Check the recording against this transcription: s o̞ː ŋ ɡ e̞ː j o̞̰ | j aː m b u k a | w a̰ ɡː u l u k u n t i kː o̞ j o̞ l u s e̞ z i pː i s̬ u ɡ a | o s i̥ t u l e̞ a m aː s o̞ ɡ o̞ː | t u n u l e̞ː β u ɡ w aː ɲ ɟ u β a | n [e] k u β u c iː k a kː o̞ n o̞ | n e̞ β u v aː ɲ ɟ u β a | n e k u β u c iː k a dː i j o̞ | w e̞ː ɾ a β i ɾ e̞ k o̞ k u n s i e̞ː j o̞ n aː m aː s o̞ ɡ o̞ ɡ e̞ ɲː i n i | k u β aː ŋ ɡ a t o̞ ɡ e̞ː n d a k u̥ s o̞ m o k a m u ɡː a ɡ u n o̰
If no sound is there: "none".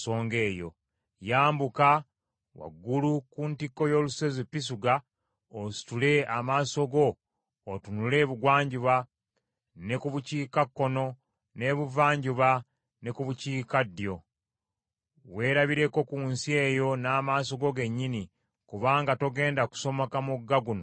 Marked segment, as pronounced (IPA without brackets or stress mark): e